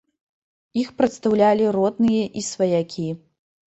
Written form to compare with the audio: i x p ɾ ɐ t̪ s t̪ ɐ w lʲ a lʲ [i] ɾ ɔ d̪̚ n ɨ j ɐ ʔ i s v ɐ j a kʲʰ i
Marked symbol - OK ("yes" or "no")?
yes